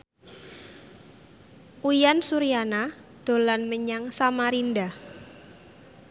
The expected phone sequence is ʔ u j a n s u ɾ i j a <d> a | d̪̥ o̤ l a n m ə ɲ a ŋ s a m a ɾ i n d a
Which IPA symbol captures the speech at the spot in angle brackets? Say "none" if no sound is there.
n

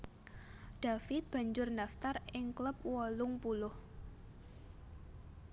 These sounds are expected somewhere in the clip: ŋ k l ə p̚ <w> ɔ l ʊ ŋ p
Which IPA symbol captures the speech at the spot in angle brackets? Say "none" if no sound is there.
w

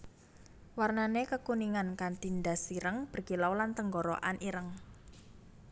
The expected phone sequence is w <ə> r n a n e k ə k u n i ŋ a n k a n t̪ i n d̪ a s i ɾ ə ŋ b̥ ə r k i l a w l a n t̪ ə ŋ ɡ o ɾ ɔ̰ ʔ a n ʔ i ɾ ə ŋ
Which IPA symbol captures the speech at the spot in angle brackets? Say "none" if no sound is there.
a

